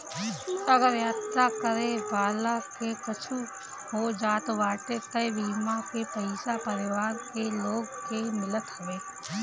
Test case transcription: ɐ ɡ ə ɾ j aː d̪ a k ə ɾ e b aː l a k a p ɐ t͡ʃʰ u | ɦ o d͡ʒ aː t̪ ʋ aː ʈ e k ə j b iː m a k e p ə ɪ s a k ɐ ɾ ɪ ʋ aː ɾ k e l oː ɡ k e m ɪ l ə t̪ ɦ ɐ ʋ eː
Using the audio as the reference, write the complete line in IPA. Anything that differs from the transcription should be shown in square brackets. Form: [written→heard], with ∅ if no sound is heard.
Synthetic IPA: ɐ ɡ ə ɾ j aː [d̪→t̪] a k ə ɾ e b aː l a k [a→e] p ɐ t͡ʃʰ u | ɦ o d͡ʒ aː t̪ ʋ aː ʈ e k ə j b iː m a k e p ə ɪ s a [k→p] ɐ ɾ ɪ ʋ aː ɾ k e l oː ɡ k e m ɪ l ə t̪ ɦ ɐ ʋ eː